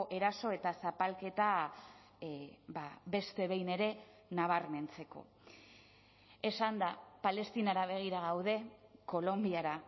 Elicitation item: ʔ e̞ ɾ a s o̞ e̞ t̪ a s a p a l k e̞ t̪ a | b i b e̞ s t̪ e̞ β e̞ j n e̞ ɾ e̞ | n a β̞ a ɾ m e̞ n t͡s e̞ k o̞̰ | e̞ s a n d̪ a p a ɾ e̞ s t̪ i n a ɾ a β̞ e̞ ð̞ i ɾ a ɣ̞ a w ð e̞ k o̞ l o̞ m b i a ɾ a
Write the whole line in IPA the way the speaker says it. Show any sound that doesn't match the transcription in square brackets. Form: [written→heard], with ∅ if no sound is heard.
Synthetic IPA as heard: ʔ e̞ ɾ a s o̞ e̞ t̪ a s a p a l k e̞ t̪ a | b [i→a] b e̞ s t̪ e̞ β e̞ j n e̞ ɾ e̞ | n a β̞ a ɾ m e̞ n t͡s e̞ k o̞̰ | e̞ s a n d̪ a p a [ɾ→l] e̞ s t̪ i n a ɾ a β̞ e̞ [ð̞→ɣ̞] i ɾ a ɣ̞ a w ð e̞ k o̞ l o̞ m b i a ɾ a